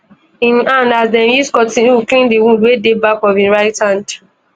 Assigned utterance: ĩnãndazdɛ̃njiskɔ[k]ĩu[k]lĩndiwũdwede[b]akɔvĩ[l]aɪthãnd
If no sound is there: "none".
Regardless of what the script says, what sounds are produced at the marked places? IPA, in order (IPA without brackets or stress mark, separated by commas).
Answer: t, k, b, ɹ